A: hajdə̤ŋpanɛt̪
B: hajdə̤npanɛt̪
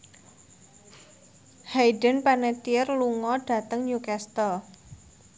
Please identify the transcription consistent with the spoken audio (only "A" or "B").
B